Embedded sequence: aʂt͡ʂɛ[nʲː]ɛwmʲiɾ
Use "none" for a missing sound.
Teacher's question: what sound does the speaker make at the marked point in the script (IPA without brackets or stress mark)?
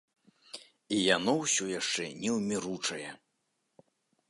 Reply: nʲ